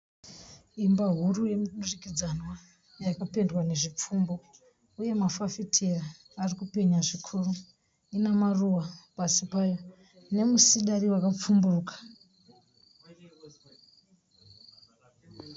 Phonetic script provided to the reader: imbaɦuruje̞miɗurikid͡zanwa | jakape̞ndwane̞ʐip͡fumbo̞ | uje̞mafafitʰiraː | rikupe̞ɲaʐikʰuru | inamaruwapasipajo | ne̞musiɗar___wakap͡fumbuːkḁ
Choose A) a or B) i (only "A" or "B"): B